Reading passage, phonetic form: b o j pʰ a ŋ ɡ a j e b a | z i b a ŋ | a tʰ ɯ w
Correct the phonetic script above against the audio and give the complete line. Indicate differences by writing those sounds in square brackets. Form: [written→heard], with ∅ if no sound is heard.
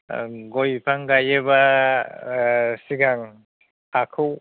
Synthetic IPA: [b→ɡ] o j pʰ a ŋ ɡ a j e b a | [z→s] i [b→ɡ] a ŋ | a [tʰ→kʰ] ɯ w